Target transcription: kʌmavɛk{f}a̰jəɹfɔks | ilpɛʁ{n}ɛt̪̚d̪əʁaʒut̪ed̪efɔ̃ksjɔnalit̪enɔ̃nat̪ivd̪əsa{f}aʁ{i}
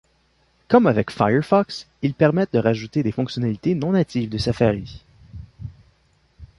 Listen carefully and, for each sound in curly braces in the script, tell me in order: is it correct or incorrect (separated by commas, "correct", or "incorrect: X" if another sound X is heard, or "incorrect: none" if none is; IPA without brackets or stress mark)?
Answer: correct, incorrect: m, correct, correct